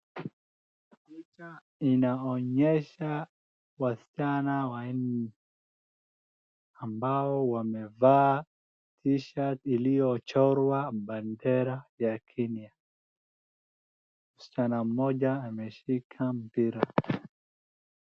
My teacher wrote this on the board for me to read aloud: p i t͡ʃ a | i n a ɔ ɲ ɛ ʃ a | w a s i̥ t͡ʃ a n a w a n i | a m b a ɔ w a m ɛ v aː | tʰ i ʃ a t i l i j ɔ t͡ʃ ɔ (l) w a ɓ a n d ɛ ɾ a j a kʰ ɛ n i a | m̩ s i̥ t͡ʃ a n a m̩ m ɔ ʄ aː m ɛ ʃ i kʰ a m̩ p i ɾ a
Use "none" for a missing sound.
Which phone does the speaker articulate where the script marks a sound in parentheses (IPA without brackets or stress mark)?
ɾ